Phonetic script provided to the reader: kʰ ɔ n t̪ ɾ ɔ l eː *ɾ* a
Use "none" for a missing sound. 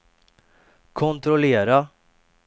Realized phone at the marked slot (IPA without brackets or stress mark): ɾ